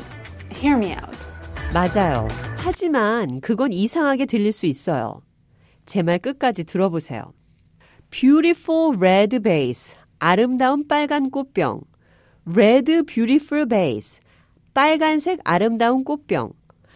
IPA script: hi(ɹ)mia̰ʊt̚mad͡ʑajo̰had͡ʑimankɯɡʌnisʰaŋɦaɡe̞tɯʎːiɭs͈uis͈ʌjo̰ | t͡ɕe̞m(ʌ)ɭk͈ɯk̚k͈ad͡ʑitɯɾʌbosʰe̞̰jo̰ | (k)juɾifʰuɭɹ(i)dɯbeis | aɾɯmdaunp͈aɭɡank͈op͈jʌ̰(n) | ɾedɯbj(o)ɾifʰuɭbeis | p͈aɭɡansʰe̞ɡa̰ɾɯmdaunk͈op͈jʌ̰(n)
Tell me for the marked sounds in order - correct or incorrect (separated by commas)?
correct, incorrect, incorrect, incorrect, incorrect, incorrect, incorrect